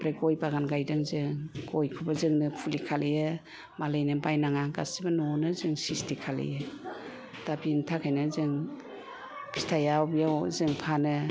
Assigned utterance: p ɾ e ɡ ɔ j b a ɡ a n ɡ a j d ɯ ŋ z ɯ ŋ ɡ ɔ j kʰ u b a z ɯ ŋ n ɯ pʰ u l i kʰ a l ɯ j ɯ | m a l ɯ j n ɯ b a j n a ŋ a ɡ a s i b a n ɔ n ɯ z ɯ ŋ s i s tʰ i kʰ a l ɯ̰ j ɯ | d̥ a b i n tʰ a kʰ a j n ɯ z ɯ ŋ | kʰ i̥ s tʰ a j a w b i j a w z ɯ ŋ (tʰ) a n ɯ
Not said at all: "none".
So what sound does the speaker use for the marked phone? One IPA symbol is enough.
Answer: pʰ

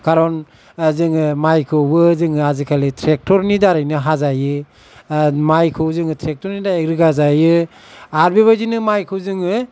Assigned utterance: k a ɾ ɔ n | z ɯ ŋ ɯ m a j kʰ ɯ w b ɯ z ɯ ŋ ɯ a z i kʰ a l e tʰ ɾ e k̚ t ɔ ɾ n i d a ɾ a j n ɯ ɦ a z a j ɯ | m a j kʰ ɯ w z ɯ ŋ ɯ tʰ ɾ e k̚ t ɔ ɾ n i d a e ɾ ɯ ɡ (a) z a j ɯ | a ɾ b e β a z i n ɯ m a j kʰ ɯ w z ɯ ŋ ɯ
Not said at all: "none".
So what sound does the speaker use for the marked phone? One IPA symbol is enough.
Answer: a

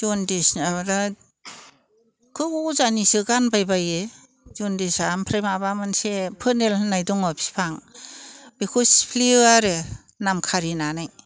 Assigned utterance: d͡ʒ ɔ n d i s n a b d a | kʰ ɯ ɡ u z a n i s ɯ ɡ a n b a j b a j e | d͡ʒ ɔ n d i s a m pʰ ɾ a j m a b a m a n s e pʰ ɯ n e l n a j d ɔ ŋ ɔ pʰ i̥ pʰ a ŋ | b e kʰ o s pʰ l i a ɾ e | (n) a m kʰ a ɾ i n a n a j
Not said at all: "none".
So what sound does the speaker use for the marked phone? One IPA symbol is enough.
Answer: n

